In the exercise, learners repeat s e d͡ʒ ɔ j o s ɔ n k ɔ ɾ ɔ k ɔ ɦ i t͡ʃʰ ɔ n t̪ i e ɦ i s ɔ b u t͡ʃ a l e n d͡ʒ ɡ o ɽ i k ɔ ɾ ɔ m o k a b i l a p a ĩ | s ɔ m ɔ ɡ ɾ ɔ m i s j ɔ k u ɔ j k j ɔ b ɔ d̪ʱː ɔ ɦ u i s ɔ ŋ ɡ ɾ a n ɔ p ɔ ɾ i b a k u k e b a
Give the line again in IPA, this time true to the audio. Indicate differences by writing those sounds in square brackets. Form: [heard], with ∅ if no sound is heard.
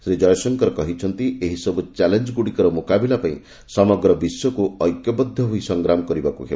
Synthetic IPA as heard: s e d͡ʒ ɔ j [ɔ] s ɔ [ŋ] k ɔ ɾ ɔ k ɔ ɦ i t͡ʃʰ ɔ n t̪ i e ɦ i s ɔ b u t͡ʃ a l e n d͡ʒ ɡ [u] ɽ i k ɔ ɾ ɔ m o k a b i l a p a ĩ | s ɔ m ɔ ɡ ɾ ɔ [b] i s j ɔ k u ɔ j k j ɔ b ɔ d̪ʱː ɔ ɦ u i s ɔ ŋ ɡ ɾ a [m] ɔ [k] ɔ ɾ i b a k u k e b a